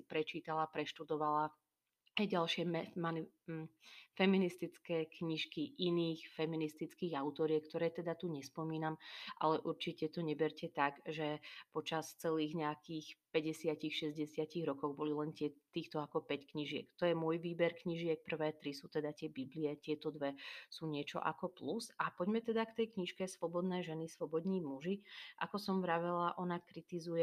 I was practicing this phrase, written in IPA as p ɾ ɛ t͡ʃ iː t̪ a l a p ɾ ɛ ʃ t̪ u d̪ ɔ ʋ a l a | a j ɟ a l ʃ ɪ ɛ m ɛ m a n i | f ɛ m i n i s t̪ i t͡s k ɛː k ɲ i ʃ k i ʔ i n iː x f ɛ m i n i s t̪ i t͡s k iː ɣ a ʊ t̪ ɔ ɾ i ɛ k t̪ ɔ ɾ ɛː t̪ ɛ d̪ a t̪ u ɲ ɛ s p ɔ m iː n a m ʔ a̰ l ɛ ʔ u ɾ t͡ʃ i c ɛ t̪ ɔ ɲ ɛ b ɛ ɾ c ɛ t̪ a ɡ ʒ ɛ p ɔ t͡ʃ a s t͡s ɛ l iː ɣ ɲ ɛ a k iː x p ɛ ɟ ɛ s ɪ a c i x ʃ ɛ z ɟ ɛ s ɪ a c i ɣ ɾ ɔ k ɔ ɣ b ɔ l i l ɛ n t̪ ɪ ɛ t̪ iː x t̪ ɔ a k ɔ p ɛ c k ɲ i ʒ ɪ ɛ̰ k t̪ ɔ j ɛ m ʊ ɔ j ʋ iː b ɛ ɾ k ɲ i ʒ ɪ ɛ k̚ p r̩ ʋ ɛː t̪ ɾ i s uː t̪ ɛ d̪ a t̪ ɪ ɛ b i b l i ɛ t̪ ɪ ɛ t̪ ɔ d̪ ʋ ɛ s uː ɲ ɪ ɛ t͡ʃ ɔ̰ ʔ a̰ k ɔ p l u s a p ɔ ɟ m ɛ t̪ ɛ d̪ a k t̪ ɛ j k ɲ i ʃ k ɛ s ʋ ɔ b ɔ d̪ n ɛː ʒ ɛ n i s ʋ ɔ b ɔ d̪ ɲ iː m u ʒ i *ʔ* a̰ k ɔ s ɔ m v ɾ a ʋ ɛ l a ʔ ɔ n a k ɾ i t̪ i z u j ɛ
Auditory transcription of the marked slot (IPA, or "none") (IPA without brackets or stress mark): ʔ